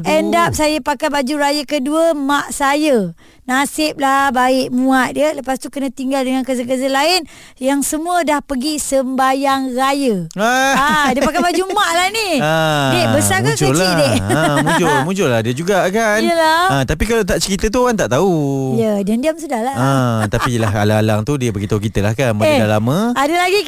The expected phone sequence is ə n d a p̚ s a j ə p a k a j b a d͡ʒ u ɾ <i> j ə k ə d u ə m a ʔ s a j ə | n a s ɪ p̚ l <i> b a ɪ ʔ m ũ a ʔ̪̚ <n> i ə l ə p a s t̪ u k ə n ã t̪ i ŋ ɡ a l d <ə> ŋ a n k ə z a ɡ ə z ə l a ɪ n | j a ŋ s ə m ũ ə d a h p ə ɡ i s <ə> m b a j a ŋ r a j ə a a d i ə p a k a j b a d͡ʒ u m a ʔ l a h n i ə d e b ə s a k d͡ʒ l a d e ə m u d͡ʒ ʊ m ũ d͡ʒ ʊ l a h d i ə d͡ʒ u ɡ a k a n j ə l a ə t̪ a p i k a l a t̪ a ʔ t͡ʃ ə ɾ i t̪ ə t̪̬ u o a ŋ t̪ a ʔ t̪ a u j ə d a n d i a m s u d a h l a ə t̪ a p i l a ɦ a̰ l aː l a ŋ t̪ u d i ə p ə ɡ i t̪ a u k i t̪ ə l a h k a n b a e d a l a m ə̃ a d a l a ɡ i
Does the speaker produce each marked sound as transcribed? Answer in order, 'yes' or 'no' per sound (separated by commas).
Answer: no, no, no, yes, yes